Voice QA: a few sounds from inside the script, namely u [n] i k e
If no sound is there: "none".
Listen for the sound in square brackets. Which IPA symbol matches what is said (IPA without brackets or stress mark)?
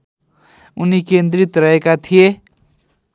n